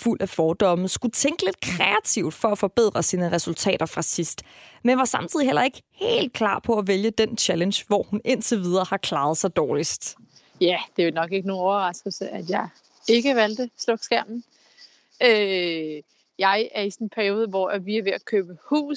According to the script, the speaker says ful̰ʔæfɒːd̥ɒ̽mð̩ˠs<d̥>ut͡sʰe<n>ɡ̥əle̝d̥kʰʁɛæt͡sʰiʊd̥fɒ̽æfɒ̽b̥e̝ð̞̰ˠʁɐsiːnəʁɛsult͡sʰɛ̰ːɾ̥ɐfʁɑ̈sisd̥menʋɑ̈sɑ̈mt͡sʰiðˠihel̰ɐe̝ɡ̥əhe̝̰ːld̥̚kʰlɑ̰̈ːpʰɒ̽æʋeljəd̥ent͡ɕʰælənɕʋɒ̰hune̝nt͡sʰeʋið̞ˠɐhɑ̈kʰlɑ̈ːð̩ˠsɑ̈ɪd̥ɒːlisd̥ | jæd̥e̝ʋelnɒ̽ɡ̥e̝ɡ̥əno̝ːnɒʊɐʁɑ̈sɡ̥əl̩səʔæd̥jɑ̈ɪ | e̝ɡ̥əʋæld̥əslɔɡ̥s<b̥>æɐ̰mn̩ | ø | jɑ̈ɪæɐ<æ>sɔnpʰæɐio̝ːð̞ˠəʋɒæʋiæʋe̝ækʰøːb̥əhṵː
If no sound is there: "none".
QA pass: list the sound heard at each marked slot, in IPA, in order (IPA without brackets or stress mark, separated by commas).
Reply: ɡ̥, ŋ, ɡ̥, i